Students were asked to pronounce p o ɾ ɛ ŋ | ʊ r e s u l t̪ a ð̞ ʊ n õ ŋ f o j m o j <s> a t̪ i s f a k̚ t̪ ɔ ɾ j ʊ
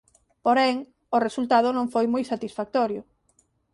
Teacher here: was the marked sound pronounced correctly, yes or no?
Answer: yes